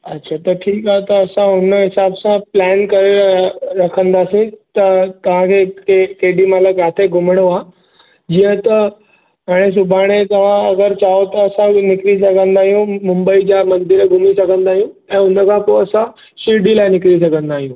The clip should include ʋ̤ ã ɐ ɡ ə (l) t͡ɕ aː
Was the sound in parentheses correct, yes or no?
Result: no